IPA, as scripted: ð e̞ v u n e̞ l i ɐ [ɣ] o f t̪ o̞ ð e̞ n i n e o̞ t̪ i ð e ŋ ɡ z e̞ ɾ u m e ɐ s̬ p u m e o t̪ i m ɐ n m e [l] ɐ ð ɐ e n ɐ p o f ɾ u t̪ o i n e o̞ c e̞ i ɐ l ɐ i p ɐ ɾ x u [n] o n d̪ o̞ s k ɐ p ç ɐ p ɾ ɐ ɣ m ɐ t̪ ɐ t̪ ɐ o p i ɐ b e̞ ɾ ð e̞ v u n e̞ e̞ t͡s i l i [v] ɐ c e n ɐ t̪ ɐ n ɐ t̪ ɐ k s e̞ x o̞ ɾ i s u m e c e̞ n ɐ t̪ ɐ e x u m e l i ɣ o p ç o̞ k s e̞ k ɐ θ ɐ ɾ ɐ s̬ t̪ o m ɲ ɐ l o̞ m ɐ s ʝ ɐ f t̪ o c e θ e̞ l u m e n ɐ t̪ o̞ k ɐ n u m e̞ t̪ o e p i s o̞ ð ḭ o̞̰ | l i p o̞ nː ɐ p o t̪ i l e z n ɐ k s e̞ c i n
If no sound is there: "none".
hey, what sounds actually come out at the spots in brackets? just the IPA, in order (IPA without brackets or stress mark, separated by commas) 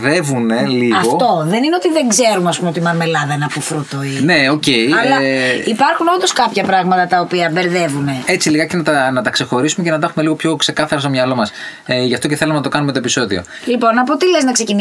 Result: ɣ, l, n, ɣ